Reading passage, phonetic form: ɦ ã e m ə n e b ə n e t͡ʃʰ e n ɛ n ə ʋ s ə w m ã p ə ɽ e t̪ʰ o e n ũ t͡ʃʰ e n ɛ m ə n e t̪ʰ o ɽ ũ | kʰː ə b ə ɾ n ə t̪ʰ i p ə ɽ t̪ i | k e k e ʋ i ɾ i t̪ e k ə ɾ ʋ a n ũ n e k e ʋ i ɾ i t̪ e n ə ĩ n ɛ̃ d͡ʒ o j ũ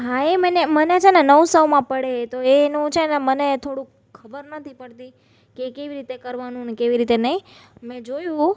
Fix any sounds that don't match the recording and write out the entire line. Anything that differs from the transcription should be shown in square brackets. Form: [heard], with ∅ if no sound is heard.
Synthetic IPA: ɦ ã e m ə n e [m] ə n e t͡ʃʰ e n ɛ n ə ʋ s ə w m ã p ə ɽ e [t̪] o e n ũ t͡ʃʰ e n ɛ m ə n e t̪ʰ o ɽ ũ | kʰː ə b ə ɾ n ə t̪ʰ i p ə ɽ t̪ i | k e k e ʋ i ɾ i t̪ e k ə ɾ ʋ a n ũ n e k e ʋ i ɾ i t̪ e n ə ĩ [m] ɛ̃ d͡ʒ o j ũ